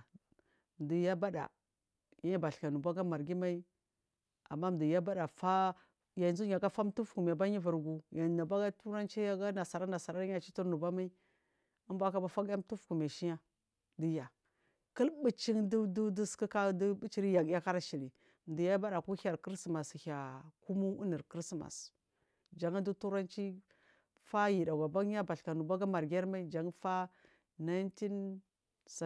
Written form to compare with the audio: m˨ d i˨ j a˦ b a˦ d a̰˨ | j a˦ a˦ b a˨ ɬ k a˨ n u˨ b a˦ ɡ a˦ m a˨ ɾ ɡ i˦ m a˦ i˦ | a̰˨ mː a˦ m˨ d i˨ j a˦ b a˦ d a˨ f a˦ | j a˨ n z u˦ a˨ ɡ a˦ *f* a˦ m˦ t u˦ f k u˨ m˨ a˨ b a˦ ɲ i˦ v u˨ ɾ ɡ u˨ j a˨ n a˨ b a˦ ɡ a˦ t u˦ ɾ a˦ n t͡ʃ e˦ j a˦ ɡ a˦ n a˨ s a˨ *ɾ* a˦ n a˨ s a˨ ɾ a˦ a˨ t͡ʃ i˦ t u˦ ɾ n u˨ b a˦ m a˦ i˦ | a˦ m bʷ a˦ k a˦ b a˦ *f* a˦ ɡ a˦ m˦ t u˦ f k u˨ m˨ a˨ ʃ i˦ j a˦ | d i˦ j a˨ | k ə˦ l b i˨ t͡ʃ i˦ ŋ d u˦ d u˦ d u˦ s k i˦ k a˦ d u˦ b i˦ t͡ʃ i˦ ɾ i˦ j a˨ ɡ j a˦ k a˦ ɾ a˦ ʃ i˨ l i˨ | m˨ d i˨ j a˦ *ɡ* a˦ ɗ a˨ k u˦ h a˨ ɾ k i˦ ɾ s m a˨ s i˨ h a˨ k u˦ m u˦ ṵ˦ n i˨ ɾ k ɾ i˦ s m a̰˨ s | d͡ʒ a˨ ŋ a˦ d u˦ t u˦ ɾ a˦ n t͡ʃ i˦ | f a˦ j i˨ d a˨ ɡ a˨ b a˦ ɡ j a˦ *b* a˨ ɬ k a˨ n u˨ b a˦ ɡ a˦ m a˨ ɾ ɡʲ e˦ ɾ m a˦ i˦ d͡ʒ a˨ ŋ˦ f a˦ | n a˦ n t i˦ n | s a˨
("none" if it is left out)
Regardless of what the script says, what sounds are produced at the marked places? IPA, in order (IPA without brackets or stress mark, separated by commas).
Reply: f, ɾ, f, b, b